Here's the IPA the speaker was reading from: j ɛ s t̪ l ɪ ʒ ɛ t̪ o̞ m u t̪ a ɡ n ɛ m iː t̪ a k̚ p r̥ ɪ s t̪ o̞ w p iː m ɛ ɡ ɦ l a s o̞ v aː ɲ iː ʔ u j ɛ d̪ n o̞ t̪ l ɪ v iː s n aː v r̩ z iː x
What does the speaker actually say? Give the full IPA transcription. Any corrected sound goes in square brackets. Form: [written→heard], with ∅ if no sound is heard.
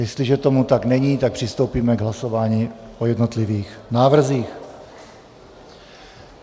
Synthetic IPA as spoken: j ɛ s t̪ l ɪ ʒ ɛ t̪ o̞ m u t̪ a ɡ n ɛ [m→ɲ] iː t̪ a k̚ p r̥ ɪ s t̪ o̞ w p iː m ɛ ɡ ɦ l a s o̞ v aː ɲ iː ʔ [u→o] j ɛ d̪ n o̞ t̪ l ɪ v iː [s→x] n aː v r̩ z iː x